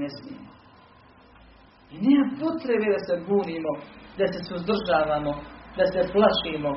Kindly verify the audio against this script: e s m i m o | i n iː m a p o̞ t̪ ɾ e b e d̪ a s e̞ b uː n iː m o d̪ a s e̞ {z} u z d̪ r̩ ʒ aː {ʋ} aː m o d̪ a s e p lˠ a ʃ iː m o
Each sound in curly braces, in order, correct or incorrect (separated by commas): incorrect, correct